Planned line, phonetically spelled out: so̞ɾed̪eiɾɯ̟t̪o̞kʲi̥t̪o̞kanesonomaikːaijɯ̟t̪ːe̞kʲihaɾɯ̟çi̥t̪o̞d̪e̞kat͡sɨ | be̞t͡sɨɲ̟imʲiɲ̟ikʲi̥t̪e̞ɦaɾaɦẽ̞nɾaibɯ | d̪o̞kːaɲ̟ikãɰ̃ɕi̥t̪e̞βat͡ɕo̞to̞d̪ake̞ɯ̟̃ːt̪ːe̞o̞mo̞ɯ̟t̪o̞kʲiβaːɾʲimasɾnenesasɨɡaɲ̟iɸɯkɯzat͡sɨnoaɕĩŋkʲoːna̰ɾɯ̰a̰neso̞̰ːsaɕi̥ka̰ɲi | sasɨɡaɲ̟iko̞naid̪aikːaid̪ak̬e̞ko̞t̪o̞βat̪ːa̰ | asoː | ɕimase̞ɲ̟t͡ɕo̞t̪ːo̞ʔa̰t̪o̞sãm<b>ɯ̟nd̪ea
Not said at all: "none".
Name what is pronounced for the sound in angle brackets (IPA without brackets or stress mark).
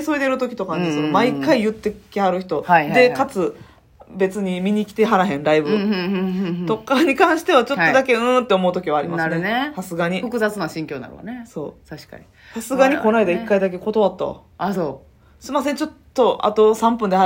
p